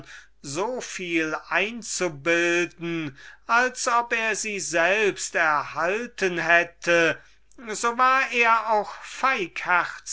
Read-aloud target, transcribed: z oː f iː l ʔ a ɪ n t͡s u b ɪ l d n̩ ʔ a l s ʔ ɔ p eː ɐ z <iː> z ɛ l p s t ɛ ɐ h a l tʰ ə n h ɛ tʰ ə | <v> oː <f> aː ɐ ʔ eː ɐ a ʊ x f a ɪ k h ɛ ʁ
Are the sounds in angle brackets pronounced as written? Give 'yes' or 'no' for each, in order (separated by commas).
yes, no, no